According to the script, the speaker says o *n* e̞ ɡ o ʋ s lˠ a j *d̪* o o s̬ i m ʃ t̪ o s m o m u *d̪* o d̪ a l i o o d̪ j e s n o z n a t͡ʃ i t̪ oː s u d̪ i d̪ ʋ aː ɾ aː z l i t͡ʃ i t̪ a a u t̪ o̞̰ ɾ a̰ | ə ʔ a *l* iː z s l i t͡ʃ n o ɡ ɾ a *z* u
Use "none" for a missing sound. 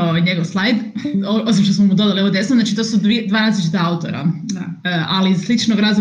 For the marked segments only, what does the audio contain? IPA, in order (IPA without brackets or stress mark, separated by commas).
ɲ, d̪, d̪, l, z